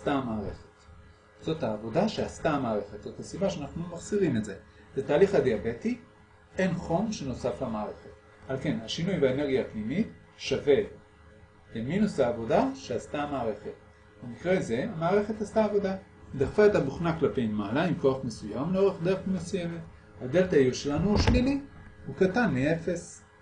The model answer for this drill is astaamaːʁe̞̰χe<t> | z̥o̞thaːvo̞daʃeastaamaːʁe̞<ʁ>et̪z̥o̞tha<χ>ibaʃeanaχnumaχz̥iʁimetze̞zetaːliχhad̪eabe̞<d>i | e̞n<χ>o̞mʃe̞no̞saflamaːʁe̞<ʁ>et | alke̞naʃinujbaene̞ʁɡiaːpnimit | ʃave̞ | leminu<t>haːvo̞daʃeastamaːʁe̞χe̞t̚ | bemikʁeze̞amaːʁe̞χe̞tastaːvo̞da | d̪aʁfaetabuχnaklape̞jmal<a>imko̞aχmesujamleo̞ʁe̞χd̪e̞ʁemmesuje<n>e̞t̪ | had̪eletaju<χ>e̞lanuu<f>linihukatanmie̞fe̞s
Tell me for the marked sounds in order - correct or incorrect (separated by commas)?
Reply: correct, incorrect, incorrect, incorrect, correct, incorrect, incorrect, correct, incorrect, incorrect, incorrect